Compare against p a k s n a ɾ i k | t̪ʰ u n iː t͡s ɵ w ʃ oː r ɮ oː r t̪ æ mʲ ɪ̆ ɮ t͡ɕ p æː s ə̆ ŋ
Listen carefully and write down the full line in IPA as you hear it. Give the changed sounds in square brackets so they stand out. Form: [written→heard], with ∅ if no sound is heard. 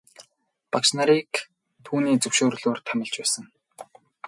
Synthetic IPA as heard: p a k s n a ɾ i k | t̪ʰ [u→uː] n iː t͡s ɵ w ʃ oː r ɮ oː r [t̪→t̪ʰ] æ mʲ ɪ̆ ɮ t͡ɕ p æː s ə̆ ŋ